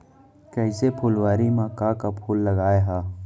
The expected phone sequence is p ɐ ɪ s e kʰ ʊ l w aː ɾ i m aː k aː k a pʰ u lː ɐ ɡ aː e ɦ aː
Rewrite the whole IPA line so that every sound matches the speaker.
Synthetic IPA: k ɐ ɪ s e pʰ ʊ l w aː ɾ i m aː k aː k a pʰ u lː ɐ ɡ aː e ɦ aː